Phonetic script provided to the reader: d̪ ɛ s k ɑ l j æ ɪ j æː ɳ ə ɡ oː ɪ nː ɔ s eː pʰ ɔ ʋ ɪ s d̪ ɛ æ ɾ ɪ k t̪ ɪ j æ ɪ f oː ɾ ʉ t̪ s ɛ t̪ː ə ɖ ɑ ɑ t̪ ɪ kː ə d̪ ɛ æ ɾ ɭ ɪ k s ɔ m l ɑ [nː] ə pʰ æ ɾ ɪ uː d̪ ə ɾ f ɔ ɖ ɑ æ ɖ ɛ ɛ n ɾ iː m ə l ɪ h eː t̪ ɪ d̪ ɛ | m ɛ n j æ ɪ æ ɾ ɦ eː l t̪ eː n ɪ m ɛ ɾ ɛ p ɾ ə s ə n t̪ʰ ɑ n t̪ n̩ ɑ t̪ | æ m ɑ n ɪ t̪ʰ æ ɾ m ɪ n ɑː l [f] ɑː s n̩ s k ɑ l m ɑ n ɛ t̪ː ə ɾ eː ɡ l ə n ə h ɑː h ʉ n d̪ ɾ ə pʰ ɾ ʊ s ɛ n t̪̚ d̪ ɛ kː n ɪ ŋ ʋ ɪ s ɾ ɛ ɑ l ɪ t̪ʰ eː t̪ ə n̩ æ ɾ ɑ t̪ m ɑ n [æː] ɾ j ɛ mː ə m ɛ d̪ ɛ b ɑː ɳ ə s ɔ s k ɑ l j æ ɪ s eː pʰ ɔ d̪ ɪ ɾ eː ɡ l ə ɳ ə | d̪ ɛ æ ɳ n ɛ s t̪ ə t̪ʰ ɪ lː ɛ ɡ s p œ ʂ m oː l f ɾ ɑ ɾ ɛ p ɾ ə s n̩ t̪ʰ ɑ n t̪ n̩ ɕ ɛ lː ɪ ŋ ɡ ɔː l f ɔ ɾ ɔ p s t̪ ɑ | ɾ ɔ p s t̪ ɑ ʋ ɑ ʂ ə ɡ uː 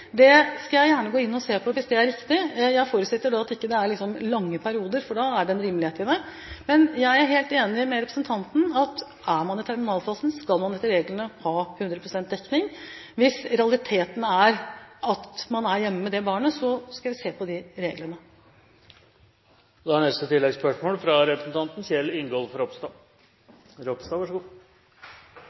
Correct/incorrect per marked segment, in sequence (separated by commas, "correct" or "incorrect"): incorrect, correct, incorrect